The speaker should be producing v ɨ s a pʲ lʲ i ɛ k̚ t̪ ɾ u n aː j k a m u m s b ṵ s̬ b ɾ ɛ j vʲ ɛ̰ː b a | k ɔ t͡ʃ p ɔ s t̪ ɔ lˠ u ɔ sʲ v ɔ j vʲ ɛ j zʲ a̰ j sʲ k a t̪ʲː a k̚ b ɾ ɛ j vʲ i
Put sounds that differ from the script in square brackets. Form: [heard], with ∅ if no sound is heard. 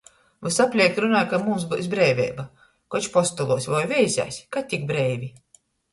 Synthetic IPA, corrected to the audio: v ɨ s a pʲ lʲ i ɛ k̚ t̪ ɾ u n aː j k a m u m s b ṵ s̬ b ɾ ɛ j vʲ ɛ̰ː b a | k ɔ t͡ʃ p ɔ s t̪ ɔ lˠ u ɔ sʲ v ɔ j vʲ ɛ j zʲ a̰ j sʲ k a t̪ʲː [i] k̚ b ɾ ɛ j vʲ i